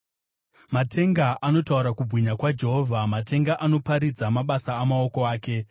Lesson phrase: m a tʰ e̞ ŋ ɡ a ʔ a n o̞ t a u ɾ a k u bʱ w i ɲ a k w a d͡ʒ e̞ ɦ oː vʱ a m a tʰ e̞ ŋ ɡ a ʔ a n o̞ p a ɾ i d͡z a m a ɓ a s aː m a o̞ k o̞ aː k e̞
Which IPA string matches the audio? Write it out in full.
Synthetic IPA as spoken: m a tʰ e̞ ŋ ɡ a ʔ a n o̞ t a u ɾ a k u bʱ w i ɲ a k w a d͡ʒ e̞ ɦ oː vʱ a m a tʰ e̞ ŋ ɡ a ʔ a n o̞ p a ɾ i d͡z a m a ɓ a s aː m a o̞ k o̞ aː k e̞